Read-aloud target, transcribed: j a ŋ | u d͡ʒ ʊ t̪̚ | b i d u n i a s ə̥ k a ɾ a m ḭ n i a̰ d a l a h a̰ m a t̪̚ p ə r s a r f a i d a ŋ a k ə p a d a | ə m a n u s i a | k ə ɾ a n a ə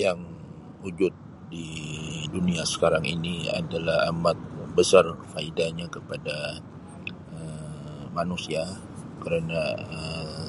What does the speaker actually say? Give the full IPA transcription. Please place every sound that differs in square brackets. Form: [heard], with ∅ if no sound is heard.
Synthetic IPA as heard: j a ŋ | u d͡ʒ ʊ t̪̚ | [d] i d u n i a s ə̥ k a ɾ a [ŋ] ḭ n i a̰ d a l a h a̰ m a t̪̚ [b] ə [∅] s a r f a i d a [ɲ] a k ə p a d a | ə m a n u s i a | k ə ɾ a n a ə